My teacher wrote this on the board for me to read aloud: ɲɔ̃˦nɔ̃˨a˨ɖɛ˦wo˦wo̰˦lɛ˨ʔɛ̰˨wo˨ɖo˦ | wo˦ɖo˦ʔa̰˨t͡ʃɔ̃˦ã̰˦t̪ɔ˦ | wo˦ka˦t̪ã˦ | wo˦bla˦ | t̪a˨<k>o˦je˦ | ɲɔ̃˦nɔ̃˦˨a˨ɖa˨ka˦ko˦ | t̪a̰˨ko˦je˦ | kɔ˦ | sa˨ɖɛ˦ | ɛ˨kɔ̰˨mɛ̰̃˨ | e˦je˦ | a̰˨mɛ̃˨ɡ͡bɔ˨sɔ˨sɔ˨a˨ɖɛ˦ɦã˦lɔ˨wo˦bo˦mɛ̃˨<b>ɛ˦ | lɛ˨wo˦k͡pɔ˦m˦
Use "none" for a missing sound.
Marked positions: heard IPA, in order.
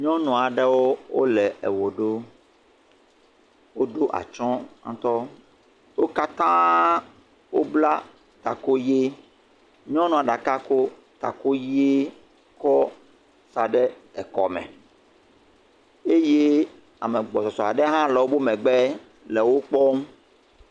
k, ɡ͡b

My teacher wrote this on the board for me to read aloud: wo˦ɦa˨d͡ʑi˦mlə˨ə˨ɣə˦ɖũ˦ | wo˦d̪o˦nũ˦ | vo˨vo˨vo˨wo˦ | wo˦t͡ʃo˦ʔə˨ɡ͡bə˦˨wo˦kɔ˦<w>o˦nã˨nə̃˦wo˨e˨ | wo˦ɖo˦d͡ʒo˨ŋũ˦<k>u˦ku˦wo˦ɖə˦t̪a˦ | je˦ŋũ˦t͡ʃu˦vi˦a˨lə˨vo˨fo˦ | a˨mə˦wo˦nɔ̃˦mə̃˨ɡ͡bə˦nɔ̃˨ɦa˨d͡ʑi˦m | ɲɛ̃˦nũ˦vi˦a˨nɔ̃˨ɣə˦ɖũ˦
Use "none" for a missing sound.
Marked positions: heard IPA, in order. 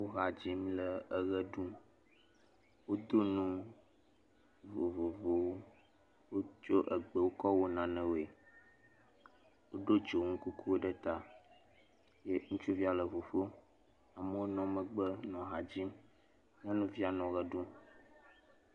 w, k

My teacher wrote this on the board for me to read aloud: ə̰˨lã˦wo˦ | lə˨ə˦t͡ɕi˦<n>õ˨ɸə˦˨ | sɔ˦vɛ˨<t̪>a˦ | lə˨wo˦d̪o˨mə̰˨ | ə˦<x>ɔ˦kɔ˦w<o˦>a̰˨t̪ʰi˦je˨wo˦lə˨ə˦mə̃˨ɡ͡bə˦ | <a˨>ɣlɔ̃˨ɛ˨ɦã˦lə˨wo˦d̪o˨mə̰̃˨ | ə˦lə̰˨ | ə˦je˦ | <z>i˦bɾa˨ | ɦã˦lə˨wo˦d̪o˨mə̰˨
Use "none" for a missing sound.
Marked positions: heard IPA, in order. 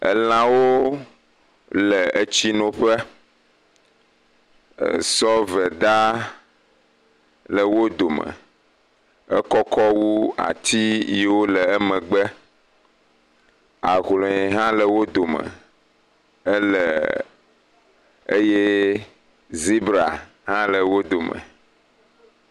n, d̪, k, u˦, a˨, z

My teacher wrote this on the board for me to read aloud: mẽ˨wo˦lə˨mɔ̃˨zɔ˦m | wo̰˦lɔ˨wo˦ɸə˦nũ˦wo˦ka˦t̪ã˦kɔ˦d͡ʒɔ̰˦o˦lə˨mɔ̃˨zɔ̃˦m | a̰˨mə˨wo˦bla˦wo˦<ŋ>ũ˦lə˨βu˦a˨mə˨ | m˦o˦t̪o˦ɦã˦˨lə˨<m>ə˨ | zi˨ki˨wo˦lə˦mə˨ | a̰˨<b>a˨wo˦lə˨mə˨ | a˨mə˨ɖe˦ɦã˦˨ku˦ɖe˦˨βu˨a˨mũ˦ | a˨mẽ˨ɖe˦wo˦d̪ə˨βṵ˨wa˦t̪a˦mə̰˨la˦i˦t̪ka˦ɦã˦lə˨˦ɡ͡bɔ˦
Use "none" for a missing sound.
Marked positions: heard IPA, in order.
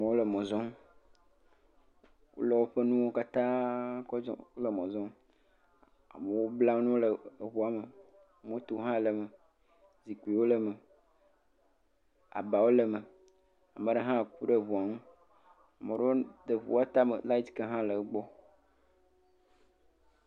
n, m, b

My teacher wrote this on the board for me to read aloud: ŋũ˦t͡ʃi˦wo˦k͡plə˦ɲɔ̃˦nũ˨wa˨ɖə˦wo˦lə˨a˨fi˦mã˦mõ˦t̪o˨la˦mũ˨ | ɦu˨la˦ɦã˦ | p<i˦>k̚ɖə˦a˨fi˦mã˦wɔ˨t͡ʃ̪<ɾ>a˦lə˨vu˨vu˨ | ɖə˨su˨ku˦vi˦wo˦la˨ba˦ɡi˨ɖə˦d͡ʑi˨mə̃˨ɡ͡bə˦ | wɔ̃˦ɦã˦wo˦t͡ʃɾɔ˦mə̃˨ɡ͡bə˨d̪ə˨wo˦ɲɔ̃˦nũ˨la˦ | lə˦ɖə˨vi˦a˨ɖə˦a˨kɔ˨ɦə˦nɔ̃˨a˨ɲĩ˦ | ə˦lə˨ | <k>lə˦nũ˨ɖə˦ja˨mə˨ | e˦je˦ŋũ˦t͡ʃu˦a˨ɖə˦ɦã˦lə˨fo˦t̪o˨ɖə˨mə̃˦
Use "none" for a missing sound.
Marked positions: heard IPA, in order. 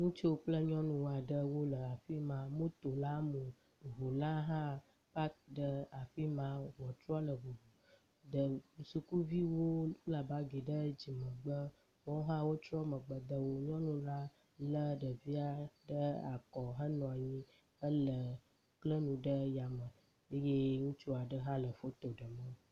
a˦, ɾ, k

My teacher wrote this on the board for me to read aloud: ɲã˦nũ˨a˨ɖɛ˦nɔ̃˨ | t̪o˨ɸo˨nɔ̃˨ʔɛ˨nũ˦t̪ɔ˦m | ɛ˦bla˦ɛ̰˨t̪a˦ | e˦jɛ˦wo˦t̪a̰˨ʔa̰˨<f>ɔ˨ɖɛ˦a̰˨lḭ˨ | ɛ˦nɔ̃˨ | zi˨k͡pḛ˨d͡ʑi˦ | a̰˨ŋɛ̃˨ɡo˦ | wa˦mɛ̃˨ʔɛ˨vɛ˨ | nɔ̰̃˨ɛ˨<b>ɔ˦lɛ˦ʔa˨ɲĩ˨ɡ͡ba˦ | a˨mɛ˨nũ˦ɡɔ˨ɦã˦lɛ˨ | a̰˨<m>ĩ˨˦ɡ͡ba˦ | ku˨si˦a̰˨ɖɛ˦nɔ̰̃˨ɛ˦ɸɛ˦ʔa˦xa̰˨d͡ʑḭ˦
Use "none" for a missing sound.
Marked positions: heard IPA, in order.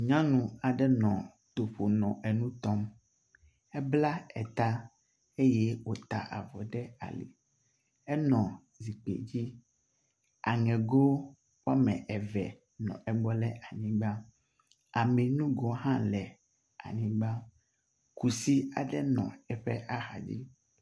v, ɡ͡b, ɲ

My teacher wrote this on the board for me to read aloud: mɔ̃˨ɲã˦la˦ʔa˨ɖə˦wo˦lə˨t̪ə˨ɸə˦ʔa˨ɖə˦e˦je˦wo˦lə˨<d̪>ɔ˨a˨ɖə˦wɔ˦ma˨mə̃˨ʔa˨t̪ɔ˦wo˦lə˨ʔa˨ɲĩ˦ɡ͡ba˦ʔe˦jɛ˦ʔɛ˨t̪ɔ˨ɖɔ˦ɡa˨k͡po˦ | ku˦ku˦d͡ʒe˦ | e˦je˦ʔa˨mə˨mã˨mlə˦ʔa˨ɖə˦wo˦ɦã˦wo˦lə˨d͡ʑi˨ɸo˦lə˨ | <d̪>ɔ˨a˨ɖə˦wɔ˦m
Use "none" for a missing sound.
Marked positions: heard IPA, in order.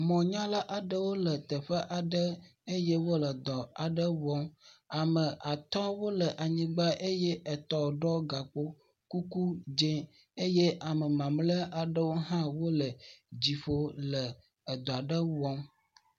d̪, d̪

